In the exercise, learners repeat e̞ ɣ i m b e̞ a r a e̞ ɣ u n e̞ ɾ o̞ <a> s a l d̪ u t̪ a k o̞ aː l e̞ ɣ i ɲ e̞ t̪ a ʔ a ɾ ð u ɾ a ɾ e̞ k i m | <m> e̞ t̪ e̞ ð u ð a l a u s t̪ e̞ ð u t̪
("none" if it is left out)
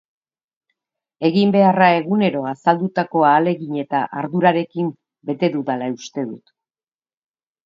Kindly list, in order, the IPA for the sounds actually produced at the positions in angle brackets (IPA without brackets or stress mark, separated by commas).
a, b